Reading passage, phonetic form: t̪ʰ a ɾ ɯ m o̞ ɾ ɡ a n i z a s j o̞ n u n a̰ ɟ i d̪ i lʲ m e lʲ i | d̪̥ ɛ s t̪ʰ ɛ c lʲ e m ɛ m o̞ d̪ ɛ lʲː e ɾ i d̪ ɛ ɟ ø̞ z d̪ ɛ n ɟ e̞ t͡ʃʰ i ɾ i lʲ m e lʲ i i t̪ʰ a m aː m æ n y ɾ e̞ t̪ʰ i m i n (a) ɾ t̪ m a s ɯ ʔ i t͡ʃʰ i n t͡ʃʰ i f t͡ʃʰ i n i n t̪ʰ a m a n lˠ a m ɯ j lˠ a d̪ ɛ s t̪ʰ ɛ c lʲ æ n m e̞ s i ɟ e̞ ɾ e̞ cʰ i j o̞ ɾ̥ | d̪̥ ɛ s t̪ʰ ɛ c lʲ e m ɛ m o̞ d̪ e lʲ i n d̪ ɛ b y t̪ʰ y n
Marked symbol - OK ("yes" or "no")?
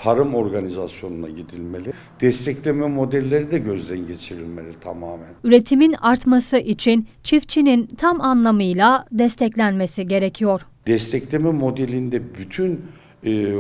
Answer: yes